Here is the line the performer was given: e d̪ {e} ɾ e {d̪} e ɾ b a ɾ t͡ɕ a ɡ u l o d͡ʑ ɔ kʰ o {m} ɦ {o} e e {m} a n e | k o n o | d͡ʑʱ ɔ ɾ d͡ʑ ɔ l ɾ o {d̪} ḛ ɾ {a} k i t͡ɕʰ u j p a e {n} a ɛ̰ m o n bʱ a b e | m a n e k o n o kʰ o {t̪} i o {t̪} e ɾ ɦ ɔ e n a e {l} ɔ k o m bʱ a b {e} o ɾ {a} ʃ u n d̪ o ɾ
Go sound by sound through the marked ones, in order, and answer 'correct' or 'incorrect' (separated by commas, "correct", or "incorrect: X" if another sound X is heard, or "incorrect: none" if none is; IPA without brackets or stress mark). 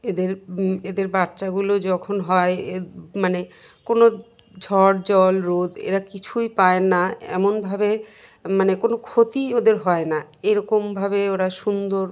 correct, correct, incorrect: n, incorrect: ɔ, correct, correct, correct, correct, correct, incorrect: d̪, incorrect: ɾ, correct, correct